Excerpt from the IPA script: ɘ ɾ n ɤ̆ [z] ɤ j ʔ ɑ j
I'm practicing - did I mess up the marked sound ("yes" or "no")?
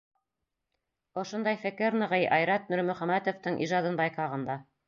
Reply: yes